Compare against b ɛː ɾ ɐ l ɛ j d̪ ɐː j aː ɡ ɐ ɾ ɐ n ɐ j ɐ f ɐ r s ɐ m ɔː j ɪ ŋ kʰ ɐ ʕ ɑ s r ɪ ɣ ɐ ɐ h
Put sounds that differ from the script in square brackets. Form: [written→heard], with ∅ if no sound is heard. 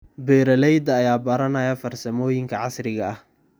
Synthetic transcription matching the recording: b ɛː ɾ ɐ l ɛ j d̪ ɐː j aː [ɡ→b] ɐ ɾ ɐ n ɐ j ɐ f ɐ r s ɐ m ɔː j ɪ ŋ kʰ ɐ ʕ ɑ s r ɪ ɣ ɐ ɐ h